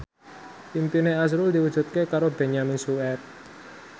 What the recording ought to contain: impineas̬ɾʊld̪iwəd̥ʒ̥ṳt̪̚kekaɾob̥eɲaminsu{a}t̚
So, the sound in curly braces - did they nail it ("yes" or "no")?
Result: no